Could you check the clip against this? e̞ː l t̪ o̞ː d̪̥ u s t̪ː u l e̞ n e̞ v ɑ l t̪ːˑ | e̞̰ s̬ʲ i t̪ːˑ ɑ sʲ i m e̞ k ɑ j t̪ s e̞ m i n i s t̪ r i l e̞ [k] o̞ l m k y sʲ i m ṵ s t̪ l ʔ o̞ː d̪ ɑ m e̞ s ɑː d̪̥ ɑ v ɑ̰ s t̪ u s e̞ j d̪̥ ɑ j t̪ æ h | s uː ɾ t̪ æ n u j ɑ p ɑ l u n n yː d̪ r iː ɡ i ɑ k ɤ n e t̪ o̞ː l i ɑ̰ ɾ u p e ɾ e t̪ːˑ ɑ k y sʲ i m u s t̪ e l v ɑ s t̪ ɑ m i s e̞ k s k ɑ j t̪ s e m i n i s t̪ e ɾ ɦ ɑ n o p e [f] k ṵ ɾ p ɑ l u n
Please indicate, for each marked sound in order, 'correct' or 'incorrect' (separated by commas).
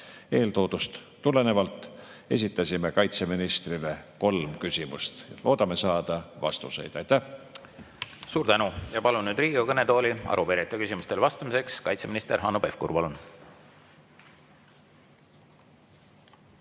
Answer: correct, correct